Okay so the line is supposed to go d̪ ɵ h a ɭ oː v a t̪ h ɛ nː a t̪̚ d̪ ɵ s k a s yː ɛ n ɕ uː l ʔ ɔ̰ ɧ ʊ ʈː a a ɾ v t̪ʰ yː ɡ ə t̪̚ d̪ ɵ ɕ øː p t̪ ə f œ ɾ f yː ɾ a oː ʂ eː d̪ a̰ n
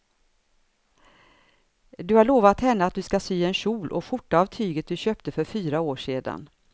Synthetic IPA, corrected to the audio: d̪ ɵ h a ɭ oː v a t̪ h ɛ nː a t̪̚ d̪ ɵ s k a s yː ɛ n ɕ uː l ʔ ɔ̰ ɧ ʊ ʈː a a v t̪ʰ yː ɡ ə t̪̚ d̪ ɵ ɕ øː p t̪ ə f œ ɾ f yː ɾ a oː ʂ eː d̪ a̰ n